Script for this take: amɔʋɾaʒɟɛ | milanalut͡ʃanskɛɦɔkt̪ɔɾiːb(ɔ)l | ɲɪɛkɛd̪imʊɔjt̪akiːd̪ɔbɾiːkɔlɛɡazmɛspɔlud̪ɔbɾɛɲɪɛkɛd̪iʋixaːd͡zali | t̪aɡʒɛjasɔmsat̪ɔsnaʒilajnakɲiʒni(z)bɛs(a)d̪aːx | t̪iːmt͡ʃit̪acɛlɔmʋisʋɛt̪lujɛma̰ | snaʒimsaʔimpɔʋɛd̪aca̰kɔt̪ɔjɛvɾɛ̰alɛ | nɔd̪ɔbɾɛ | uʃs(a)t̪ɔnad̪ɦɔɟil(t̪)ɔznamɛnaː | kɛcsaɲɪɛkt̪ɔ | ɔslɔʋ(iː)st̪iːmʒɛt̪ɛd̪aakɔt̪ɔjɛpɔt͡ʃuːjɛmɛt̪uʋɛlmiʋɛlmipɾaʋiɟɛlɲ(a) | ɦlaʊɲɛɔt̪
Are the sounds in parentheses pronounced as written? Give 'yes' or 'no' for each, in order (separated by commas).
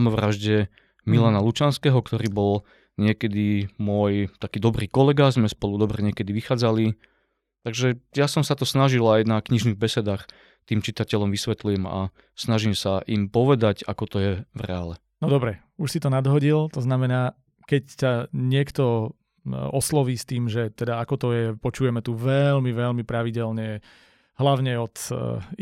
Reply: yes, no, no, no, yes, yes, no